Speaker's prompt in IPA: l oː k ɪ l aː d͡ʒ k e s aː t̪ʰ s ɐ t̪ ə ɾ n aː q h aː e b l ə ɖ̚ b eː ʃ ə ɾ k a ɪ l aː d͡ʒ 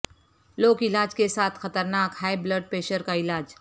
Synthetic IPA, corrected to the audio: l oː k ɪ l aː d͡ʒ k e s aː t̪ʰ x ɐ t̪ ə ɾ n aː k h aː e b l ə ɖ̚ p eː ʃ ə ɾ k a ɪ l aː d͡ʒ